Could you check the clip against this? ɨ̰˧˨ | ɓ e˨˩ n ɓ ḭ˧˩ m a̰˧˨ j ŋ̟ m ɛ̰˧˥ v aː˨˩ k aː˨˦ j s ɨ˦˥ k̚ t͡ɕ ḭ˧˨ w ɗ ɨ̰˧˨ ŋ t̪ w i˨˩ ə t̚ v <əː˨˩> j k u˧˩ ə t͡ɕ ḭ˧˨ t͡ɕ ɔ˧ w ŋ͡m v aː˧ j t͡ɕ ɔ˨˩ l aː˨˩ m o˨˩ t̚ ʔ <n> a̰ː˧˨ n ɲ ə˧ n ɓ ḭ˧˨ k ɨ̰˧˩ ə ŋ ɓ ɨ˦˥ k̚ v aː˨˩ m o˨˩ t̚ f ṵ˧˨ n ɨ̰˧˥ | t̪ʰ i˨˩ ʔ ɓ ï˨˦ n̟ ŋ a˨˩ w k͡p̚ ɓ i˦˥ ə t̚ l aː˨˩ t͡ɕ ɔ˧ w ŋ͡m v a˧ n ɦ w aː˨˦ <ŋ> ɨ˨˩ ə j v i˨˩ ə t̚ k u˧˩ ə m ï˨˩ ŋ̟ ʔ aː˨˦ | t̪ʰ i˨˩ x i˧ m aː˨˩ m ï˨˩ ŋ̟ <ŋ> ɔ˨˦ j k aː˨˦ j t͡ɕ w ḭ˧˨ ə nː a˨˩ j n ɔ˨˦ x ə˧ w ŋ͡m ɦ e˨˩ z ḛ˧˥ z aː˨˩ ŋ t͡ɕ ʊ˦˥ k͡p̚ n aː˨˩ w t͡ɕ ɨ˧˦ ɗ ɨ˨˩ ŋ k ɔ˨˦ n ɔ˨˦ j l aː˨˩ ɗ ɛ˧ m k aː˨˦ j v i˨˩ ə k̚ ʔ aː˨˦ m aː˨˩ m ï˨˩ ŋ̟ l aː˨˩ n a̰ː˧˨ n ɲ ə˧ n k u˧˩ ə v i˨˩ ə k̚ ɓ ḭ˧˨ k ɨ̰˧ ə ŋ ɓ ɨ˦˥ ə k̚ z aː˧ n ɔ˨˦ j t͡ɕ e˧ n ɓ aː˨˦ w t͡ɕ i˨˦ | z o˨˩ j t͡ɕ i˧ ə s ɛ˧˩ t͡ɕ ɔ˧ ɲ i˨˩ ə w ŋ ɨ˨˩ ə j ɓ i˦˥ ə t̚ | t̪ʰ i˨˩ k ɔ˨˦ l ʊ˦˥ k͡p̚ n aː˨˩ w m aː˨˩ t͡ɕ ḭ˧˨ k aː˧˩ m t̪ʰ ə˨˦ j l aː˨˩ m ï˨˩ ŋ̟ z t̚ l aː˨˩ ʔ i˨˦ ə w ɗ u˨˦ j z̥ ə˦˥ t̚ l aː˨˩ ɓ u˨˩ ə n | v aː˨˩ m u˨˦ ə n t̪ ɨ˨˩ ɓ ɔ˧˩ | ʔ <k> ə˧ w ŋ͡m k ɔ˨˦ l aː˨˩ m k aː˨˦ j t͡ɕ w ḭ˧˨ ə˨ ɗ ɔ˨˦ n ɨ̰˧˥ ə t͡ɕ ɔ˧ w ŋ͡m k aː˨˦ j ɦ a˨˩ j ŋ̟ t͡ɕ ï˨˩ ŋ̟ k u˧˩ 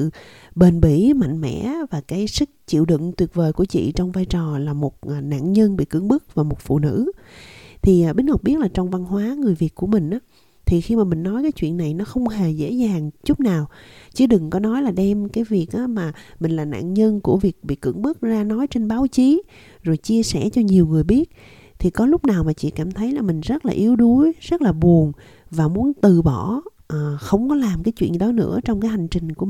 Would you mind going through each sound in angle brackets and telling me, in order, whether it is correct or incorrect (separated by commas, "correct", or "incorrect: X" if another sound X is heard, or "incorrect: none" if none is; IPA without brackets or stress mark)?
correct, correct, correct, incorrect: n, incorrect: x